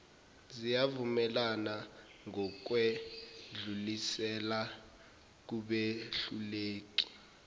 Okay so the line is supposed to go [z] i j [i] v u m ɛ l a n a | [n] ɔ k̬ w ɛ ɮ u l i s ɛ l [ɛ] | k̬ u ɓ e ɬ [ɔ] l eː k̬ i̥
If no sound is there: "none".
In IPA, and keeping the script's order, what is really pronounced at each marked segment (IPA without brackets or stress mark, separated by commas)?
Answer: z, a, ŋ, a, u